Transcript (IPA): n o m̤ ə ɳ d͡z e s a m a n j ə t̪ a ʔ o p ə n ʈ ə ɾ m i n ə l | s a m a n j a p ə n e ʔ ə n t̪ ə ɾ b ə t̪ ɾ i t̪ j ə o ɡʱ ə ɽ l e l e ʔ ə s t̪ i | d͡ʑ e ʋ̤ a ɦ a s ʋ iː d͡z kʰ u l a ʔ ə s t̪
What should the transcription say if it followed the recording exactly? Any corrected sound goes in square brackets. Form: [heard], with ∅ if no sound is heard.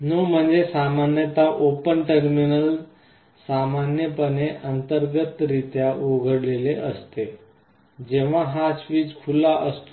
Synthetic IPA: n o m̤ ə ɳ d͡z e s a m a n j ə t̪ a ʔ o p ə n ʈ ə ɾ m i n ə l | s a m a n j [ə] p ə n e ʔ ə n t̪ ə ɾ [ɡ] ə t̪ ɾ i t̪ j [a] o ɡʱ ə ɽ l e l e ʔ ə s t̪ [e] | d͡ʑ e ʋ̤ a ɦ a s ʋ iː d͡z kʰ u l a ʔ ə s t̪